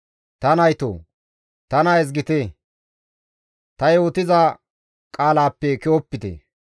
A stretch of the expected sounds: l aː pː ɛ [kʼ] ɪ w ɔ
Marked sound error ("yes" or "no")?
yes